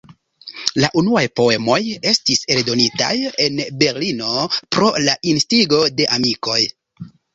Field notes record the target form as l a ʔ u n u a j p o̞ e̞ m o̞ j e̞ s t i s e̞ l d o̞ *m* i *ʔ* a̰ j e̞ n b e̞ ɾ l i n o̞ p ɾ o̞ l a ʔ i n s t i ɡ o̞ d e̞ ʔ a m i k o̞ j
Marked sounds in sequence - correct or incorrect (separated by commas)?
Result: incorrect, incorrect